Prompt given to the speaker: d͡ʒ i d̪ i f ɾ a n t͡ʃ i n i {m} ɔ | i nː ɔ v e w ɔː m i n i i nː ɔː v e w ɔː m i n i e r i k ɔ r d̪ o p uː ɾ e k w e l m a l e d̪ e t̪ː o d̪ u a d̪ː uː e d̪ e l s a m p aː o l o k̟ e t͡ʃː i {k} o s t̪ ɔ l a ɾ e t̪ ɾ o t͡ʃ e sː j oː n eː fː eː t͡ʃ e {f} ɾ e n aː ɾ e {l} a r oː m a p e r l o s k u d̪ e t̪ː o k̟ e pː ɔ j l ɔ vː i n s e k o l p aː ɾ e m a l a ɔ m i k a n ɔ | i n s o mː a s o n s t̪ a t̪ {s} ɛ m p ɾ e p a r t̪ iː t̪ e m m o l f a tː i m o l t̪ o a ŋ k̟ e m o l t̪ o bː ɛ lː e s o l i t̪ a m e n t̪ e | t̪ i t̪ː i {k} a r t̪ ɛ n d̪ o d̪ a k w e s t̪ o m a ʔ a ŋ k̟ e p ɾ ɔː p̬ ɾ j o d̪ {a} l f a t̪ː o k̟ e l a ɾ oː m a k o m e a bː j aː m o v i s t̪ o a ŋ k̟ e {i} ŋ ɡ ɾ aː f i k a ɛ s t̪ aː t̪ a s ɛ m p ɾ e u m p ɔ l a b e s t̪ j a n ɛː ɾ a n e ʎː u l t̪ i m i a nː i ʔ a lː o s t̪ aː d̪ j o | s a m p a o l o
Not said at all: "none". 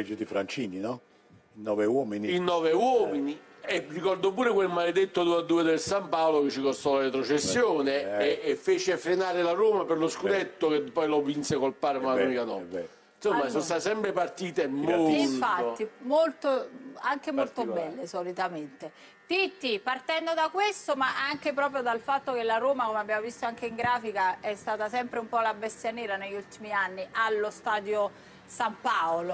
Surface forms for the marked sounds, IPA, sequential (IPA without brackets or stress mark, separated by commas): n, k, f, l, s, p, a, i